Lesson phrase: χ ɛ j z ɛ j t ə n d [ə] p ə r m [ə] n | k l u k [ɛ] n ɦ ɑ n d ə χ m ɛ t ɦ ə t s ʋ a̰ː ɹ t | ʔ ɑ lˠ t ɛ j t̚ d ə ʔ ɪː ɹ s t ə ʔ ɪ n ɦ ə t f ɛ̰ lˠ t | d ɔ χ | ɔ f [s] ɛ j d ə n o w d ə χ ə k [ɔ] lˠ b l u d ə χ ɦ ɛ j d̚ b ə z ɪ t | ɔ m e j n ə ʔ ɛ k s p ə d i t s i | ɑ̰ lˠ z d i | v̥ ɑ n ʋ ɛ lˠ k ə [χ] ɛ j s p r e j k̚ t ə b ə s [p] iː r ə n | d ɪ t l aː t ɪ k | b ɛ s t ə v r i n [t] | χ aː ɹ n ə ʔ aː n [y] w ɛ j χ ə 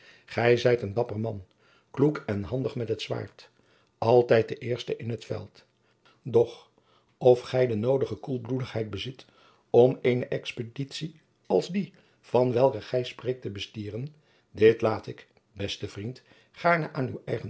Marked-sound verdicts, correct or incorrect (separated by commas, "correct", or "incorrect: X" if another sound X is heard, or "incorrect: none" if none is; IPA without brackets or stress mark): incorrect: ɑ, incorrect: ɑ, correct, incorrect: χ, incorrect: u, correct, incorrect: t, correct, correct